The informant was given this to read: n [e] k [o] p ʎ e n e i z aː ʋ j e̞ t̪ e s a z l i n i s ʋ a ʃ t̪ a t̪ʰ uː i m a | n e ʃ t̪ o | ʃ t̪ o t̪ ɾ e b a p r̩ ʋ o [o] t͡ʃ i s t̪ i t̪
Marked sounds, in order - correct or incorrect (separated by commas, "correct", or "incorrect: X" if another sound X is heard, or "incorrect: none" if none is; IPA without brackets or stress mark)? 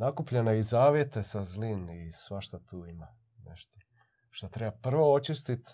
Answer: incorrect: a, incorrect: u, correct